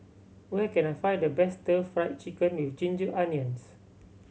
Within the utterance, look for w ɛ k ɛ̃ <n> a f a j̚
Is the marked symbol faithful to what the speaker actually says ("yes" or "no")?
yes